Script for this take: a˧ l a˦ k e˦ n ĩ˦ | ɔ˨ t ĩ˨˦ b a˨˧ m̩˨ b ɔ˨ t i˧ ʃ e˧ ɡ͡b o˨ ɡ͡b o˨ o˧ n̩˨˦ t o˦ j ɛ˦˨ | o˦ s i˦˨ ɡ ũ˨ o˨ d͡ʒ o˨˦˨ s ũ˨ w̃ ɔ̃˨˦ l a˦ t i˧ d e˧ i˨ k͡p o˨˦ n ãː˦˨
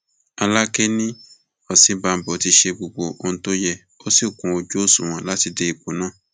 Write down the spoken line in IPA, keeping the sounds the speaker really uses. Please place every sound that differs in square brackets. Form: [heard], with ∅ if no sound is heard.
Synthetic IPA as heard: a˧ l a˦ k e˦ n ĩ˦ | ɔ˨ [s] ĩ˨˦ b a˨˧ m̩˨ b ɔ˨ t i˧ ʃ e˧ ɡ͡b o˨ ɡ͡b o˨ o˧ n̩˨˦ t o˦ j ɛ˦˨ | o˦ s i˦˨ [k] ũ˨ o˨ d͡ʒ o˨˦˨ s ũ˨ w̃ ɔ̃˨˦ l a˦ t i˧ d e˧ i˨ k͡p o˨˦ n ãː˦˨